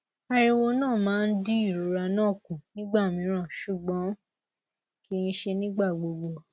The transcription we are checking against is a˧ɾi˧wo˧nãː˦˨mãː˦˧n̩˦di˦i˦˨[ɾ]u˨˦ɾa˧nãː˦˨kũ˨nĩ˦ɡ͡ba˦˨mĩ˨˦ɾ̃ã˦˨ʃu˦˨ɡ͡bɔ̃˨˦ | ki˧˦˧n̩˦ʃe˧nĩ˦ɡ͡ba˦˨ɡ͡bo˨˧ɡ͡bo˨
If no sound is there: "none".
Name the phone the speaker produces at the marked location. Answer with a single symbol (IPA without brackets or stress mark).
ɾ